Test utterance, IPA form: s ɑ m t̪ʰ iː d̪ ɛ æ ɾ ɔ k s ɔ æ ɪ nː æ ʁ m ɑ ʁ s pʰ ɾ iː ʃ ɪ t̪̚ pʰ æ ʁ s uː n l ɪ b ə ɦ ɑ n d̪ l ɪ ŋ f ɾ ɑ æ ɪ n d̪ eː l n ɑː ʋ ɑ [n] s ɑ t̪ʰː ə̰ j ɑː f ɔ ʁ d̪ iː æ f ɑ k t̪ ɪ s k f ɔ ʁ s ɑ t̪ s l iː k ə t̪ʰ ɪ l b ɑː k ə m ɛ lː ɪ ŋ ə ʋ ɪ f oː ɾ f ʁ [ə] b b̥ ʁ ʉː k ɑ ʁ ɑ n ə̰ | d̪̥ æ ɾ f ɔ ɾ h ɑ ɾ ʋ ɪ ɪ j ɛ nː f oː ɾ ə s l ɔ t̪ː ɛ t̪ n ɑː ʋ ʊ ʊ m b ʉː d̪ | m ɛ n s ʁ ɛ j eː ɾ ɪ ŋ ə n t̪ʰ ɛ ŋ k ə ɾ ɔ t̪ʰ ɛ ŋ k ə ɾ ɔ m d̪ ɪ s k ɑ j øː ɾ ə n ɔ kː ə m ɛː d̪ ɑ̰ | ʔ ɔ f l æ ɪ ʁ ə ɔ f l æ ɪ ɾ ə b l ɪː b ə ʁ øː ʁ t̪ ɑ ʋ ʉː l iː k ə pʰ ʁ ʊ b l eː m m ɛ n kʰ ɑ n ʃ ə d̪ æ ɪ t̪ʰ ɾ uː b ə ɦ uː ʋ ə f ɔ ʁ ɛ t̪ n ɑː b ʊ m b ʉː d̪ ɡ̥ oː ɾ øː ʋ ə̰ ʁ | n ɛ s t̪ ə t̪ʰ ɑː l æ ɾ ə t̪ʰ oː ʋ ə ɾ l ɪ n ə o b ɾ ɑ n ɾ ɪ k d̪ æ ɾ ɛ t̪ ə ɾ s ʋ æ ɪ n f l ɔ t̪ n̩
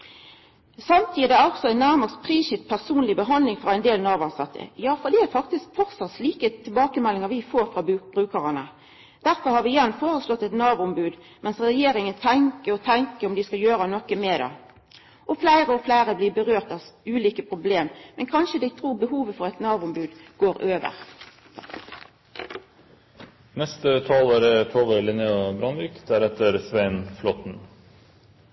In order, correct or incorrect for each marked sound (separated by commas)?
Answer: correct, incorrect